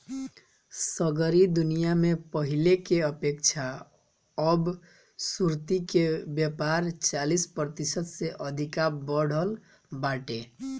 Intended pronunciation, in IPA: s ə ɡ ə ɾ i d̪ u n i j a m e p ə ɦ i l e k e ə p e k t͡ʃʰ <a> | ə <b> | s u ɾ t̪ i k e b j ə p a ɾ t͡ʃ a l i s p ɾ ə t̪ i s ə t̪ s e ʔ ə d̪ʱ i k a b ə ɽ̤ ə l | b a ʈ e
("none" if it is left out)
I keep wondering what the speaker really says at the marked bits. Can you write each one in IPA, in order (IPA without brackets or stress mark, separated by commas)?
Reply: a, b